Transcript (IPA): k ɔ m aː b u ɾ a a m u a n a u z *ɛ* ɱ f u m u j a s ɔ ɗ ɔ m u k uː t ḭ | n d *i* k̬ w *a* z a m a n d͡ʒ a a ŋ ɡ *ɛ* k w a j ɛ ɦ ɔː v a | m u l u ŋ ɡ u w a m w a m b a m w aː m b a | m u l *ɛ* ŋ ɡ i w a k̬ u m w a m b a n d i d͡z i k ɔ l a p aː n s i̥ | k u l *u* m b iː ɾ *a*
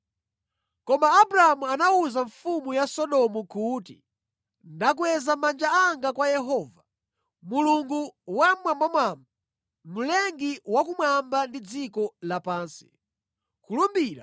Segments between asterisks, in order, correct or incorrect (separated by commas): incorrect, incorrect, incorrect, incorrect, correct, correct, correct